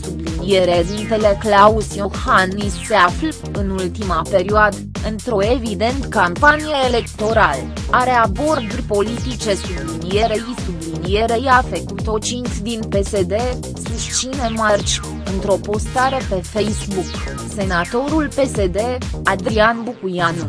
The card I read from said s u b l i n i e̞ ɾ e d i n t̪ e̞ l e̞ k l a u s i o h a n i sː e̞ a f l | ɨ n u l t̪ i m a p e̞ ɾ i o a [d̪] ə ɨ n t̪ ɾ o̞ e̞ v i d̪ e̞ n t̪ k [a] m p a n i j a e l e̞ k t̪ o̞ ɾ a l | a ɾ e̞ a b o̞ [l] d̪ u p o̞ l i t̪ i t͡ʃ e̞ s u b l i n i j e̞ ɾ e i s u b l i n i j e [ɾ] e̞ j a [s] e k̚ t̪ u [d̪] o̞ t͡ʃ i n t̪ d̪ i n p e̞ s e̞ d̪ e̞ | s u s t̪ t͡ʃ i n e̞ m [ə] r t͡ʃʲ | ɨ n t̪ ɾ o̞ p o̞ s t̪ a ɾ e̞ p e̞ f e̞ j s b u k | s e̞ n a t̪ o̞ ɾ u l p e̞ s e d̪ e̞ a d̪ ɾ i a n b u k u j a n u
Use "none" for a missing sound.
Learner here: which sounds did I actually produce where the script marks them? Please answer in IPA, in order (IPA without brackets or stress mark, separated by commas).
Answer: d̪, a, r, ɾ, f, t̪, a